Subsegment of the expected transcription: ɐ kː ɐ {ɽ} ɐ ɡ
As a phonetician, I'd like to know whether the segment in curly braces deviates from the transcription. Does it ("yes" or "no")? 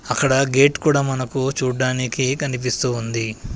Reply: no